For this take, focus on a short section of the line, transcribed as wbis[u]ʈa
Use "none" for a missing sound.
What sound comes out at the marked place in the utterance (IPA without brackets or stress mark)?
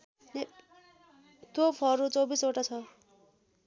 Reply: o